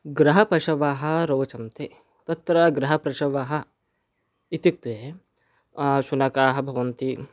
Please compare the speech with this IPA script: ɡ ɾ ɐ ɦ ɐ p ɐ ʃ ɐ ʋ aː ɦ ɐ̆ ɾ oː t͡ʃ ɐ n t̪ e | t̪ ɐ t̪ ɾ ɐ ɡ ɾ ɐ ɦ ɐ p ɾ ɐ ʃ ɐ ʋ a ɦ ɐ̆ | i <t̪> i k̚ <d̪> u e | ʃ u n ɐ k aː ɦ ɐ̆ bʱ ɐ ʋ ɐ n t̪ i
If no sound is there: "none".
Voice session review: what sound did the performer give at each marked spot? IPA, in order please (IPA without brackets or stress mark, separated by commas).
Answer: t̪, t̪